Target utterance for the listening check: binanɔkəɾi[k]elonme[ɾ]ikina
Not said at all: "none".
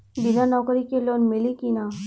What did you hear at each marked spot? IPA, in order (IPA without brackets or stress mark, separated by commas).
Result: k, l